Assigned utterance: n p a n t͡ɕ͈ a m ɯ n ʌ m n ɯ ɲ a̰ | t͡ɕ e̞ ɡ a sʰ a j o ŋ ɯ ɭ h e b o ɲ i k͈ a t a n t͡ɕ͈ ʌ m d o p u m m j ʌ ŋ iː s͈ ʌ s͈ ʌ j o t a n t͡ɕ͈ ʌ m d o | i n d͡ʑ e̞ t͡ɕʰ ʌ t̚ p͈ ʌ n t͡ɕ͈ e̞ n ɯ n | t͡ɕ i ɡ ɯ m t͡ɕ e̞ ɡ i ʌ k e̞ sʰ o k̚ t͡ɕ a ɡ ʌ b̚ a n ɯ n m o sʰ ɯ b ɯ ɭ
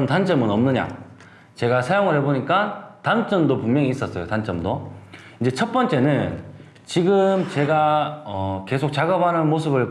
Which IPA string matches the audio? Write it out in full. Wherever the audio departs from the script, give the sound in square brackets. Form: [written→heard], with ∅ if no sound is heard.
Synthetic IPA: n [p→t] a n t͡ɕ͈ [a→ʌ] m ɯ n ʌ m n ɯ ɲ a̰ | t͡ɕ e̞ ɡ a sʰ a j o ŋ ɯ ɭ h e b o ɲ i k͈ a t a n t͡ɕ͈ ʌ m d o p u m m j ʌ ŋ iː s͈ ʌ s͈ ʌ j o t a n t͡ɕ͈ ʌ m d o | i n d͡ʑ e̞ t͡ɕʰ ʌ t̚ p͈ ʌ n t͡ɕ͈ e̞ n ɯ n | t͡ɕ i ɡ ɯ m t͡ɕ e̞ ɡ [i→a] ʌ k e̞ sʰ o k̚ t͡ɕ a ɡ ʌ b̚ a n ɯ n m o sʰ ɯ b ɯ ɭ